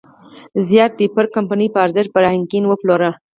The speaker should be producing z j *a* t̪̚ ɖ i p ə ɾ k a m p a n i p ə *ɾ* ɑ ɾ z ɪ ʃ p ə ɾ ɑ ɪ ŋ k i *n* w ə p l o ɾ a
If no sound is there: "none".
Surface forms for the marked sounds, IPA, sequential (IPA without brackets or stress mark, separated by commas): ɑ, none, n